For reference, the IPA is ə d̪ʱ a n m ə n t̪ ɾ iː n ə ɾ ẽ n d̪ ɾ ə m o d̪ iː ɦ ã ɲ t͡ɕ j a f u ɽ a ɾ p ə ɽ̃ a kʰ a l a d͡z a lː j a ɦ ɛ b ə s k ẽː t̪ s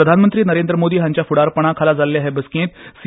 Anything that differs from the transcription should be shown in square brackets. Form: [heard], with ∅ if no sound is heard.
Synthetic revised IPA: ə d̪ʱ a n m ə n t̪ ɾ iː n ə ɾ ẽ n d̪ ɾ ə m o d̪ iː ɦ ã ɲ t͡ɕ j a f u ɽ a ɾ p ə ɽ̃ a kʰ a l a d͡z a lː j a ɦ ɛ b ə s k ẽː t̪ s